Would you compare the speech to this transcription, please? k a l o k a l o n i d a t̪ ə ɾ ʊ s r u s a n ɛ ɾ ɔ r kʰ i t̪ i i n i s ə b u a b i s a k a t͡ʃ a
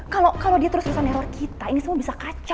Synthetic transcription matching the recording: k a l o k a l o d i a t̪ ə ɾ ʊ s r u s a n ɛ ɾ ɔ r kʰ i t̪ a i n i s ə m u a b i s a k a t͡ʃ a